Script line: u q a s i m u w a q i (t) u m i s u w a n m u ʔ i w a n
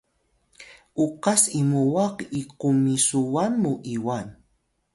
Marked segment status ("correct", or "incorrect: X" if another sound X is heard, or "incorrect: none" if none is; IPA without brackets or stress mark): incorrect: q